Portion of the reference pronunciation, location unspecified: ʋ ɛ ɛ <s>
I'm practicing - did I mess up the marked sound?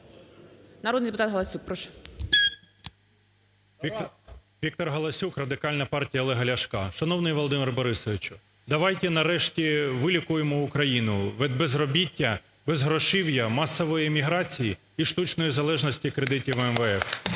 yes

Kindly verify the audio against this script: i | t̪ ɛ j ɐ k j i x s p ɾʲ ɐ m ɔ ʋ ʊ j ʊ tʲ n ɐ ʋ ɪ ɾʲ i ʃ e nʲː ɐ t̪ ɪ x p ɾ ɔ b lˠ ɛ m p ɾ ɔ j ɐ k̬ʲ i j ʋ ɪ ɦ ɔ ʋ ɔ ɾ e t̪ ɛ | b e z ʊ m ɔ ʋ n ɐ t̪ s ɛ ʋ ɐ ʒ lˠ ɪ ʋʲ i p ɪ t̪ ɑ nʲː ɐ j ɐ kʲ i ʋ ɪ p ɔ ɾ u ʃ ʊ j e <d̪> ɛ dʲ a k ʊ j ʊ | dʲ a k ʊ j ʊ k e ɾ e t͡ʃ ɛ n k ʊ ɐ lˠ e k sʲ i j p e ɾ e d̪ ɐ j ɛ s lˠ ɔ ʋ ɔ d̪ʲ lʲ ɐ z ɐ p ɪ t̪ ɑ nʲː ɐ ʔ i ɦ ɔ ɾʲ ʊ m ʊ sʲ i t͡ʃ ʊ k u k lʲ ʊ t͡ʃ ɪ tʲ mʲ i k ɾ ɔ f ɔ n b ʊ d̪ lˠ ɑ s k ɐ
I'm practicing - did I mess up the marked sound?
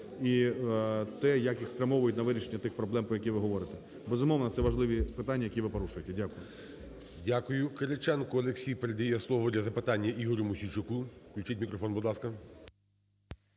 yes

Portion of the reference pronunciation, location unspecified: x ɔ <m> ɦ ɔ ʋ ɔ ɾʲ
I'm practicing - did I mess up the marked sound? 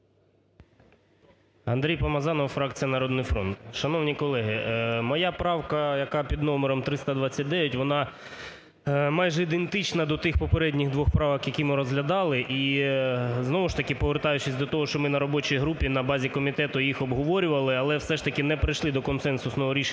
yes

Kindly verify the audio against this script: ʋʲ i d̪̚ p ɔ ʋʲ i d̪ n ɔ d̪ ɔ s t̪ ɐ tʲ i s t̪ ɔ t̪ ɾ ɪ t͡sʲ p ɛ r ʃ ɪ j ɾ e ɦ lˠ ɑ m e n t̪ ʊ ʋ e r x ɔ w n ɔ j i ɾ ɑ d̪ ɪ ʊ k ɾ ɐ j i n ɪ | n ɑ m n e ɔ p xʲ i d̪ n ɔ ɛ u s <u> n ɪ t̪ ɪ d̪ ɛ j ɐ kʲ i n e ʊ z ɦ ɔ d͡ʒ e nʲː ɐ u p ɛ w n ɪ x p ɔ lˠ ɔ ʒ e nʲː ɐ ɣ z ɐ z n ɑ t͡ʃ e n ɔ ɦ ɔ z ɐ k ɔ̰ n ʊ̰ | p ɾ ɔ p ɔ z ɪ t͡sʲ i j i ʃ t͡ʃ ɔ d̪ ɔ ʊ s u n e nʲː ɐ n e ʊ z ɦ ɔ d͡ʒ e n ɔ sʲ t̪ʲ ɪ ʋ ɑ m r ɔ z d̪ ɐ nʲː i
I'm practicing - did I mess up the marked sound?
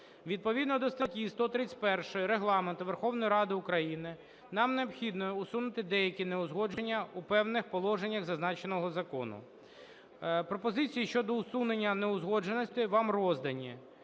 no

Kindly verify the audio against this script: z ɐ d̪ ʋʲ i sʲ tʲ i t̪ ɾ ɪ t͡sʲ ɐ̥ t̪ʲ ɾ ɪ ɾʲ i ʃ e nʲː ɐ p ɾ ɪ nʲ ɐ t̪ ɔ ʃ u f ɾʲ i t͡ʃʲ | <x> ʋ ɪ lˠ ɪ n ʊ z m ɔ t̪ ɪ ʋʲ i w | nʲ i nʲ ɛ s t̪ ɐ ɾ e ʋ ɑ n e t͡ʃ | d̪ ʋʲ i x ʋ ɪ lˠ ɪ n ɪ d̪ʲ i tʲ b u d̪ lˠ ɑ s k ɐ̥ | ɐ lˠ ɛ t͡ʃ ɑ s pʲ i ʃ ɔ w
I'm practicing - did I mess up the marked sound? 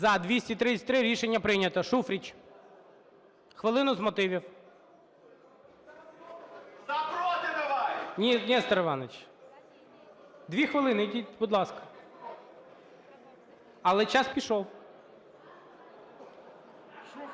no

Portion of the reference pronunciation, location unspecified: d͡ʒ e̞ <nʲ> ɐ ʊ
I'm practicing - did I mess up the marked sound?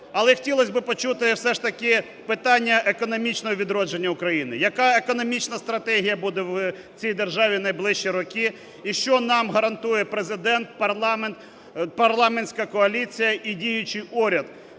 yes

